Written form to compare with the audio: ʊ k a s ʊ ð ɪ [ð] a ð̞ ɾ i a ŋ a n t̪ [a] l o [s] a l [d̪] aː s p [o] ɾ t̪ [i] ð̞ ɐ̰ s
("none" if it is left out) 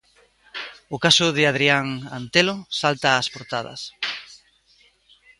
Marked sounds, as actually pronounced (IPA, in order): none, e, s, t̪, o, a

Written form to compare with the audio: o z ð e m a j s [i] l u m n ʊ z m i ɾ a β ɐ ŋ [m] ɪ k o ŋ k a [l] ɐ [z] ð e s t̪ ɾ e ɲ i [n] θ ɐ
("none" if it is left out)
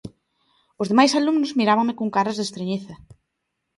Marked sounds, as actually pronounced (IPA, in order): a, m, ɾ, z, none

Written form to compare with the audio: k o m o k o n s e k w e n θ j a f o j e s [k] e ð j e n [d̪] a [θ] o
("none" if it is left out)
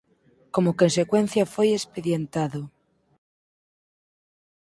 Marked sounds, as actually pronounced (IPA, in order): p, t̪, ð

